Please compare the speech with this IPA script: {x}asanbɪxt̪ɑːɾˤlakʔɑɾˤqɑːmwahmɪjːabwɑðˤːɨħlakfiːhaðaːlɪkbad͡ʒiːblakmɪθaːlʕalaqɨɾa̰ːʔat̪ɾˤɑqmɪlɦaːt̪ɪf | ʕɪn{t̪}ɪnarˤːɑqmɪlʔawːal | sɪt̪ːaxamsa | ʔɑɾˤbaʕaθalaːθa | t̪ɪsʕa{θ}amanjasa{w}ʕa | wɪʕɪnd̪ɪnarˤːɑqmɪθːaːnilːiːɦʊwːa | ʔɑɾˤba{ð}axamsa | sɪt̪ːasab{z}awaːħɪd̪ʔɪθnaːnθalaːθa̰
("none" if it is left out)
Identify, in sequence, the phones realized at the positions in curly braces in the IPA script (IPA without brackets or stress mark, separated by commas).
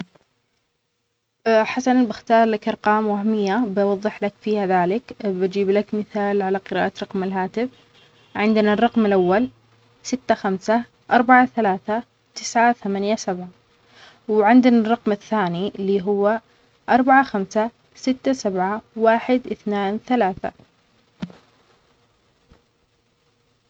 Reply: ħ, d̪, θ, b, ʕ, ʕ